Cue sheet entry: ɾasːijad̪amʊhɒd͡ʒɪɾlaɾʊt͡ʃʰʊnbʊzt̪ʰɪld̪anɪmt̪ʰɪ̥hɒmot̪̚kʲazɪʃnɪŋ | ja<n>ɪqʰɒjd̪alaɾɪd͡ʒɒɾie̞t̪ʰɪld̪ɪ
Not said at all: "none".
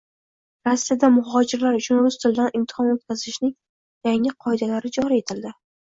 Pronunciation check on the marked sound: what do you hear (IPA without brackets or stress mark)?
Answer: ŋ